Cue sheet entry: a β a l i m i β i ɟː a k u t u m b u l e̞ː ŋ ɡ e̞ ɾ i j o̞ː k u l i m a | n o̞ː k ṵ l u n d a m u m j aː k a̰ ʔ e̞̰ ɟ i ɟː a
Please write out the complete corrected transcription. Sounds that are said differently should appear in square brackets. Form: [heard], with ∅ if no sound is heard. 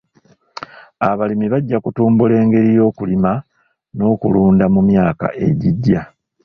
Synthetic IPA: a β a l i m i β [a] ɟː a k u t [uː] m b u l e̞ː ŋ ɡ e̞ ɾ i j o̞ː k u l i m a | n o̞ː k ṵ l [uː] n d a m u m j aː k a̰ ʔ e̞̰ ɟ i ɟː a